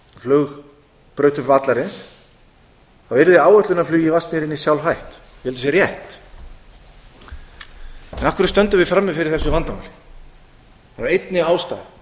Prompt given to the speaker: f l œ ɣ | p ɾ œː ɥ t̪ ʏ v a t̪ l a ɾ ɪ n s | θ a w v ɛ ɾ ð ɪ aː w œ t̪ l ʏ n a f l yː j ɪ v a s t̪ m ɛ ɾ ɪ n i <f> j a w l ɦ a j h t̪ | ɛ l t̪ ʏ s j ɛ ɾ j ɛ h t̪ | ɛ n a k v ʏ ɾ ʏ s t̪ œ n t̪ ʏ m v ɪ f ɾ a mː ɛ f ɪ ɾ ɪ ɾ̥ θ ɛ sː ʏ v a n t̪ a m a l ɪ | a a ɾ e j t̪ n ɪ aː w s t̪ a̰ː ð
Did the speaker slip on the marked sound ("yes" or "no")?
yes